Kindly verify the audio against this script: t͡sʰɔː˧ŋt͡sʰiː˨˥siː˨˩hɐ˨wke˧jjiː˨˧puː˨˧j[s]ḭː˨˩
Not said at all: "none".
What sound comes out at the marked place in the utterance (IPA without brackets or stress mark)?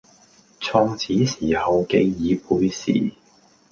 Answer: s